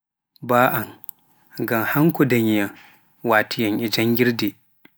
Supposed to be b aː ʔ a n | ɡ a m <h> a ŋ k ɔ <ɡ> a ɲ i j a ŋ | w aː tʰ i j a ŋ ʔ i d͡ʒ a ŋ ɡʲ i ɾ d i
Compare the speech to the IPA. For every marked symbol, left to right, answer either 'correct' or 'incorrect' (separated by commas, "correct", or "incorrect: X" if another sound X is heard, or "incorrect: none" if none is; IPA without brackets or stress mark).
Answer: correct, incorrect: d